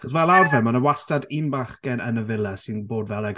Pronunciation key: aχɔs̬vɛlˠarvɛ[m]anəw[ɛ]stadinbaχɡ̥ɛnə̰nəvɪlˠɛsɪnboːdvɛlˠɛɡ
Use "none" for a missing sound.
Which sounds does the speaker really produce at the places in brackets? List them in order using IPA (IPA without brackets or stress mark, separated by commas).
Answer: m, a